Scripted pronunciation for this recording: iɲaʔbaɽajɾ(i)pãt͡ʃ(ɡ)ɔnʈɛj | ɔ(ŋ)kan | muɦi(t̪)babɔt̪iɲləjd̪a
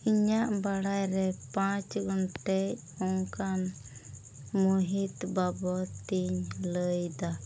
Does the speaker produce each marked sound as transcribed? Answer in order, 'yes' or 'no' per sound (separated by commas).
no, yes, yes, yes